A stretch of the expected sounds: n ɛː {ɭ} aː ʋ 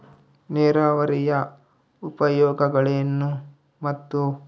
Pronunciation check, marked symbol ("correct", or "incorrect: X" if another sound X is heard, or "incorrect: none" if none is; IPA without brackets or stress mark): incorrect: ɾ